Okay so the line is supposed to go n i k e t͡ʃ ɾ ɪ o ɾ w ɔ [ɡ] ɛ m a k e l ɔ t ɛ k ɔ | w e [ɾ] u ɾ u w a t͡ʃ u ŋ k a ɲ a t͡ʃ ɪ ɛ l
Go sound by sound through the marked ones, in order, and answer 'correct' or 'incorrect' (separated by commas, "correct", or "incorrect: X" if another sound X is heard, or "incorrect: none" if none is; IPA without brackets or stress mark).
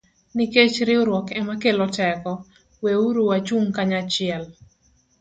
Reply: incorrect: k, incorrect: none